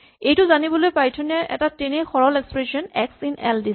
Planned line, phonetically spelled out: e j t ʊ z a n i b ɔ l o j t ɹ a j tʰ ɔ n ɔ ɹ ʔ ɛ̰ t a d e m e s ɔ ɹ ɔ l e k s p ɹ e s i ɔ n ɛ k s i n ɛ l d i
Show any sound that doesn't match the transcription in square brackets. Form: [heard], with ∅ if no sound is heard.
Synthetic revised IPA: e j t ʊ z a n i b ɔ l o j [p] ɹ a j tʰ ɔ n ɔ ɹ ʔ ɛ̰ t a [t] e [n] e [x] ɔ ɹ ɔ l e k s p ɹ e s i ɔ n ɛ k s i n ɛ l d i